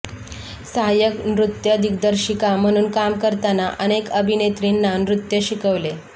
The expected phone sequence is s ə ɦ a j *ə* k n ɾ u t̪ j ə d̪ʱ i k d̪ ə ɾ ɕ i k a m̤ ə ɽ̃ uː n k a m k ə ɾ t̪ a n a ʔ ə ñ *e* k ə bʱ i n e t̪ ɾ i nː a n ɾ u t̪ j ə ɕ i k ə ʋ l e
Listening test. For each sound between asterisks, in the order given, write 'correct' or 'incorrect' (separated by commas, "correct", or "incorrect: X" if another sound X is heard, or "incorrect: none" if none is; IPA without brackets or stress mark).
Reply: correct, correct